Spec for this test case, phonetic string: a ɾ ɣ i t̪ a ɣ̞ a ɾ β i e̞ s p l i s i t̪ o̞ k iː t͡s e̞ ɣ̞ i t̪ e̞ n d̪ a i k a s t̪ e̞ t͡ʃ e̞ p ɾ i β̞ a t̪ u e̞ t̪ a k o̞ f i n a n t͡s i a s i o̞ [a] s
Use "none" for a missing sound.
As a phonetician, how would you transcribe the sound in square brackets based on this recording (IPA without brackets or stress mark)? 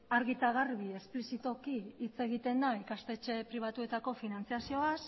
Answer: a